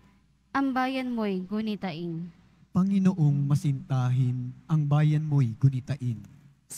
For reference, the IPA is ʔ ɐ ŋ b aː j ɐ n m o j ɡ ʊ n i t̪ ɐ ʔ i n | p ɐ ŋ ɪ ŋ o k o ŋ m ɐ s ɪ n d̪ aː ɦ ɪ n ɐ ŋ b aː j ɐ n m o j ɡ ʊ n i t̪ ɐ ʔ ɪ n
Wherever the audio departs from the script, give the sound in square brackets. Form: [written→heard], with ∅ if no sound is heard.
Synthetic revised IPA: ʔ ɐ ŋ b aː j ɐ n m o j ɡ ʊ n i t̪ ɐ ʔ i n | p ɐ ŋ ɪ [ŋ→n] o [k→ʔ] o ŋ m ɐ s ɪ n [d̪→t̪] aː ɦ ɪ n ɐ ŋ b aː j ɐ n m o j ɡ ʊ n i t̪ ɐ ʔ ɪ n